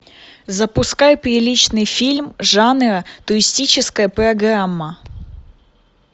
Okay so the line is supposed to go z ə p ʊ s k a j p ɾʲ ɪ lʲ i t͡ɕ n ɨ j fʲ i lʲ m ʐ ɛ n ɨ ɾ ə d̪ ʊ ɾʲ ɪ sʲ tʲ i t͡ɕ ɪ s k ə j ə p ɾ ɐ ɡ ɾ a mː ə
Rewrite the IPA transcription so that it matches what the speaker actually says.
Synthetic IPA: z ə p ʊ s k a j p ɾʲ ɪ lʲ i t͡ɕ n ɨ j fʲ i lʲ m ʐ a n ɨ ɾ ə t̪ ʊ ɾʲ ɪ sʲ tʲ i t͡ɕ ɪ s k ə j ə p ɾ ɐ ɡ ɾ a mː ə